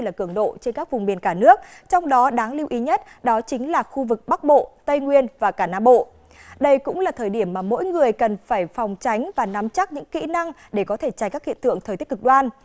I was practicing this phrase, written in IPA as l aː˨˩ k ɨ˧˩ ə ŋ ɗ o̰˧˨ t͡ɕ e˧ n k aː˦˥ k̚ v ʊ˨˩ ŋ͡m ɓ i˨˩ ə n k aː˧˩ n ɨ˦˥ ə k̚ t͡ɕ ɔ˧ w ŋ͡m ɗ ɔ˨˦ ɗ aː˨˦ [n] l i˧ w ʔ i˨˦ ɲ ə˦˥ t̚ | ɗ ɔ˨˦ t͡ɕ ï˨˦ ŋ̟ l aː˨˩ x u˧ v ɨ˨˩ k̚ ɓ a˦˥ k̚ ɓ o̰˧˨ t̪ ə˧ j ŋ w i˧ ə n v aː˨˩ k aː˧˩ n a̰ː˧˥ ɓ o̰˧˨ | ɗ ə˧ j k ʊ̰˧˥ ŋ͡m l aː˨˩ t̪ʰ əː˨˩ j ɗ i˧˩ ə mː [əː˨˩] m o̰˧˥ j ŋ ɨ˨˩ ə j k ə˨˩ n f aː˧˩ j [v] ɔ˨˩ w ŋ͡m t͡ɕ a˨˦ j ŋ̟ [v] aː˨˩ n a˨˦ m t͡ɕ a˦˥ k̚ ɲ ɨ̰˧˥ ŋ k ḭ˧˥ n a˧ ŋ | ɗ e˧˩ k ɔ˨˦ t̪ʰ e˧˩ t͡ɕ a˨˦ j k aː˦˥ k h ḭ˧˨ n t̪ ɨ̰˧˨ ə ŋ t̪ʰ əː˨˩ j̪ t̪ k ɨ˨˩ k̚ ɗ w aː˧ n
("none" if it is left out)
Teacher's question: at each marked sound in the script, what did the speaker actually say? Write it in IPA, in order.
ŋ, aː˨˩, f, v

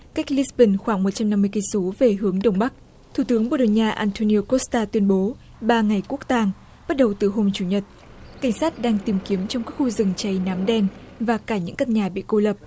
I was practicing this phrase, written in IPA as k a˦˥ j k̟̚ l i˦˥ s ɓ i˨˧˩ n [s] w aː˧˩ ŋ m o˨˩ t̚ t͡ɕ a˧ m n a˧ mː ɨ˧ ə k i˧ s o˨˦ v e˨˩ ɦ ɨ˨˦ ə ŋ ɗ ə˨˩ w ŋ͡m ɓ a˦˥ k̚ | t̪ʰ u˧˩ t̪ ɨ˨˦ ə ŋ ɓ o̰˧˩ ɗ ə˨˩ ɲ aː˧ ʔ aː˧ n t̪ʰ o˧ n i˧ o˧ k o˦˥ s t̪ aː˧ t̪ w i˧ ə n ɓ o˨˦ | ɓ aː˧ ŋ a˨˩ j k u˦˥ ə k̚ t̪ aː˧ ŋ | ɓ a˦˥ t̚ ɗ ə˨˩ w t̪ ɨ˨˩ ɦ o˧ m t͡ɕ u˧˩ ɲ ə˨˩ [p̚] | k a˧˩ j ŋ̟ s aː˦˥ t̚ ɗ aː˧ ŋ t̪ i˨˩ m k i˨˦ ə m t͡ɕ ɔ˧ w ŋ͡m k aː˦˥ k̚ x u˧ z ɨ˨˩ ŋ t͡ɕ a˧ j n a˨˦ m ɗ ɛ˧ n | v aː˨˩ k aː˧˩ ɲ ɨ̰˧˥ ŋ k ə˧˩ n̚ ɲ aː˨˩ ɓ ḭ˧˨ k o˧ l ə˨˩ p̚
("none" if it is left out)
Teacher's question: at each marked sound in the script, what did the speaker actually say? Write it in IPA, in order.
x, t̚

